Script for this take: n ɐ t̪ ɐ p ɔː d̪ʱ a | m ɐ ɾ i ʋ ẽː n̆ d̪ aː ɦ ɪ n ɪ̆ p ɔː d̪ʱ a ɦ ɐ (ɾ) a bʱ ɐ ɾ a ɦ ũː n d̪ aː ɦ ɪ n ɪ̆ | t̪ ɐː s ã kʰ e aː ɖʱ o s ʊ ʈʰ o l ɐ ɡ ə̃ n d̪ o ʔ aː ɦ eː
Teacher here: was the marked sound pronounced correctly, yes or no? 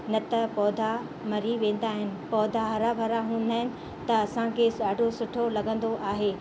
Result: yes